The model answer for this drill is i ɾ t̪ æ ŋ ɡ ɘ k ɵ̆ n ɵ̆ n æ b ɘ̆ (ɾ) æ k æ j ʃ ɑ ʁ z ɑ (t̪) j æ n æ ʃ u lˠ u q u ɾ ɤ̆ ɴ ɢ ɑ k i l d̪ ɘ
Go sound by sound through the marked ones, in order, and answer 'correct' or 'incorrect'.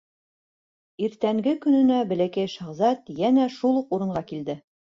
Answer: incorrect: l, correct

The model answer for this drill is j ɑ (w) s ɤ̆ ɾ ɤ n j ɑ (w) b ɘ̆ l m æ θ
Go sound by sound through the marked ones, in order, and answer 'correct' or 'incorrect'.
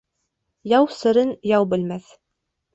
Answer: correct, correct

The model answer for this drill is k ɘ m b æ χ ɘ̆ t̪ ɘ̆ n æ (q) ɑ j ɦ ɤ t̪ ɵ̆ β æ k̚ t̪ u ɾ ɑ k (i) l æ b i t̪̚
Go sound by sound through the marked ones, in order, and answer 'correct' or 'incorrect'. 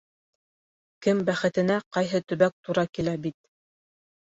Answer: correct, correct

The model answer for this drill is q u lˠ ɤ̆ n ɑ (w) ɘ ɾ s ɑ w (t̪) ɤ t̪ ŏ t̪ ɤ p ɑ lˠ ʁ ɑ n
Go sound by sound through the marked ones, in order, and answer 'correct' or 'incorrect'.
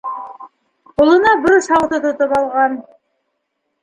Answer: incorrect: b, correct

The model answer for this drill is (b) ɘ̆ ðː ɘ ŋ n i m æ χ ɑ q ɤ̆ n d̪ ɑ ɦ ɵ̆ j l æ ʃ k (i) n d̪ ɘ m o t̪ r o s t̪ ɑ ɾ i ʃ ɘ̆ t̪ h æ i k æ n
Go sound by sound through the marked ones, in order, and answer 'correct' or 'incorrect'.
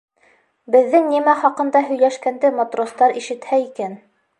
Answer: correct, incorrect: æ

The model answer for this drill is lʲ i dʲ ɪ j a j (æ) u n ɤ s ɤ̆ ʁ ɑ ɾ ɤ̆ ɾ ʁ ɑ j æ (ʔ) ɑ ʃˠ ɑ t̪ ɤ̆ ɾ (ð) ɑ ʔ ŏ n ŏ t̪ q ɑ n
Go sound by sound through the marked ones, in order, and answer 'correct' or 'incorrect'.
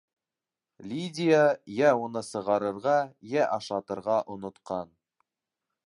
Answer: correct, correct, incorrect: ʁ

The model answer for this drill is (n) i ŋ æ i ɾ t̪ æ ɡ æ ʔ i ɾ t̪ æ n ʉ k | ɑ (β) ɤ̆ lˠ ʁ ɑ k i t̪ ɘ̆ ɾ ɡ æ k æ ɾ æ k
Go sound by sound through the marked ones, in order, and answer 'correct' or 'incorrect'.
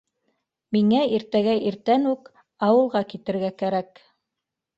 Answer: incorrect: m, incorrect: w

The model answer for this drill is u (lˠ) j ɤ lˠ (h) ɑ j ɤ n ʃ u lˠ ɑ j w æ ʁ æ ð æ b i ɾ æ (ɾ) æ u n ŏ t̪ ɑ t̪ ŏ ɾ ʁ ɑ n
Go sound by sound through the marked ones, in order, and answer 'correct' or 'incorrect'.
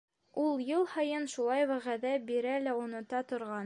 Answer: correct, correct, incorrect: l

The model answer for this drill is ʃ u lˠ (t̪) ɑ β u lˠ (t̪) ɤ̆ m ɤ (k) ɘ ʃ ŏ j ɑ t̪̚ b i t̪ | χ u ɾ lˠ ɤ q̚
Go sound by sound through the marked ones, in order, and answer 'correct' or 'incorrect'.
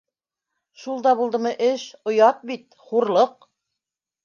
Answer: incorrect: d̪, incorrect: d̪, incorrect: ʔ

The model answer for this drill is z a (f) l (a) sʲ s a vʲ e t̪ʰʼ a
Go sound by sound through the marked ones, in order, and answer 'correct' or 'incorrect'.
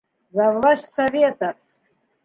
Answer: incorrect: v, correct

